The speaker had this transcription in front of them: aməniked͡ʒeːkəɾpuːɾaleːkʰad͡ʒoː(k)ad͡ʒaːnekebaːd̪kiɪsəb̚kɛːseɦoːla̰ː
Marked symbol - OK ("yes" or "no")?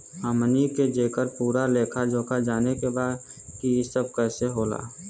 yes